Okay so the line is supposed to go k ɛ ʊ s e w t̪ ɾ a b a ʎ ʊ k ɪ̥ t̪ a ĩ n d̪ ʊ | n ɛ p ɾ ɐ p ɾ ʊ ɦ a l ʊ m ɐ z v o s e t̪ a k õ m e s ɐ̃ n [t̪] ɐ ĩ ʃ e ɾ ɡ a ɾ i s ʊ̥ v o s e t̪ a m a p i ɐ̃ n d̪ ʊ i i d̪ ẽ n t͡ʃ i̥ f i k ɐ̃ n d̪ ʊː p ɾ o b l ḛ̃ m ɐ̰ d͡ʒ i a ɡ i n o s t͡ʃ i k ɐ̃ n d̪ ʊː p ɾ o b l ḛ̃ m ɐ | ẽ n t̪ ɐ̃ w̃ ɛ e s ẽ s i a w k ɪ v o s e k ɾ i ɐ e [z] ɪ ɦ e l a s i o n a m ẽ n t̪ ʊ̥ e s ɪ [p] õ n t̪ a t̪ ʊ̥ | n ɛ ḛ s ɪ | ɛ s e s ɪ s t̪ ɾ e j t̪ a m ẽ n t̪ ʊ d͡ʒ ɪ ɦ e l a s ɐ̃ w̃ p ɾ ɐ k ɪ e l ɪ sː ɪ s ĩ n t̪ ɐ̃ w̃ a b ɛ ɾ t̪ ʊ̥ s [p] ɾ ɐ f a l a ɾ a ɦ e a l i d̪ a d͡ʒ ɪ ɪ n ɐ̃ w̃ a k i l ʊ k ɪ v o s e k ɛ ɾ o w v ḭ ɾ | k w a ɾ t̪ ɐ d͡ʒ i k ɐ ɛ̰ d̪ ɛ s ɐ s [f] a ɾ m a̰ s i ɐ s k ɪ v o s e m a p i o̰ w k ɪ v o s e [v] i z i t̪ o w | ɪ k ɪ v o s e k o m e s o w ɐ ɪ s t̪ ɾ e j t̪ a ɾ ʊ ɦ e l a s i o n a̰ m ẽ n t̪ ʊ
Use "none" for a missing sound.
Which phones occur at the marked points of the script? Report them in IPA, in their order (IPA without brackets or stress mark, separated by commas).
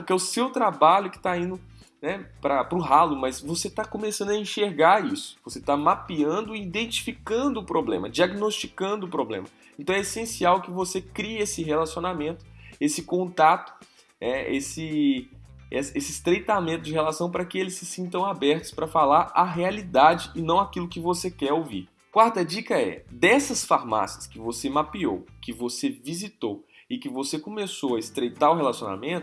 d̪, s, k, p, f, v